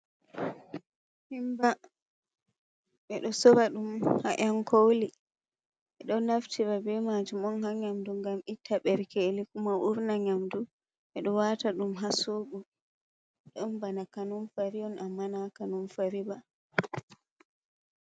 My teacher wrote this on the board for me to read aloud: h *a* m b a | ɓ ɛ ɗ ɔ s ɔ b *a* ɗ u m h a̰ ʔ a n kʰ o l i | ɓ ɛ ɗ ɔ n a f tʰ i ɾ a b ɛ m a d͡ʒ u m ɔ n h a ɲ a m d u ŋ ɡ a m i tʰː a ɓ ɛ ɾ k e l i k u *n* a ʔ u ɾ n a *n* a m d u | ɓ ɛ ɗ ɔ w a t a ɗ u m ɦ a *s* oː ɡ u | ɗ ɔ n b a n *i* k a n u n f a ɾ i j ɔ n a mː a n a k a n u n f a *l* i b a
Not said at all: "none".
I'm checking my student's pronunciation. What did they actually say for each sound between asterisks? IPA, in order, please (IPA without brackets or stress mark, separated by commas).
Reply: i, a, m, ɲ, s, a, ɾ